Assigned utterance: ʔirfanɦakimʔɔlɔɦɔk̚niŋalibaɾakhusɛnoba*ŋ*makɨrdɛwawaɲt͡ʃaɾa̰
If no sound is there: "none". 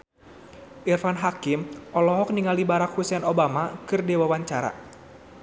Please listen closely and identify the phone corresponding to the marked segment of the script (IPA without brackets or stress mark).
none